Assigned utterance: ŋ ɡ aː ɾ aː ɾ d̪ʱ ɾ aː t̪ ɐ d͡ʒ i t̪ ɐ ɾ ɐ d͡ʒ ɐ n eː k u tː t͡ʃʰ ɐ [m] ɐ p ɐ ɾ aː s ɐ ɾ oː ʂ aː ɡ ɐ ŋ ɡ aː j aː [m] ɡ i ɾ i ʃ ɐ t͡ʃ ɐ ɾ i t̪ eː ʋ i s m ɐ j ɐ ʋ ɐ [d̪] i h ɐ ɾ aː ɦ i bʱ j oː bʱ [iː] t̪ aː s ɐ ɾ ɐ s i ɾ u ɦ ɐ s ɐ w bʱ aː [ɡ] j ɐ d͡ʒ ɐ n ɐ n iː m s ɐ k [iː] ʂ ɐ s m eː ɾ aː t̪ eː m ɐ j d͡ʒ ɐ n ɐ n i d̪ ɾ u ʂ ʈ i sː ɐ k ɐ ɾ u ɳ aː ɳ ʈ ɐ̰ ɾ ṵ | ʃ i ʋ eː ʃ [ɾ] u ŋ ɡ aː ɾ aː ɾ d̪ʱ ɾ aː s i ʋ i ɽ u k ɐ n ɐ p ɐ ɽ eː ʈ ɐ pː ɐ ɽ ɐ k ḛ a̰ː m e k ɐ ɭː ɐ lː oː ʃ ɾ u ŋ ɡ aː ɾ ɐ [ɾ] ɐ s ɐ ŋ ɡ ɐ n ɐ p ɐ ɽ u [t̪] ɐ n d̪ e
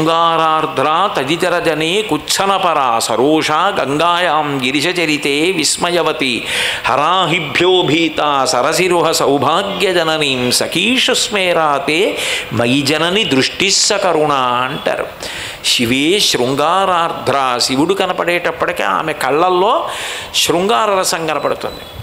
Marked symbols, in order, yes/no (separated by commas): no, yes, no, yes, yes, yes, yes, yes, yes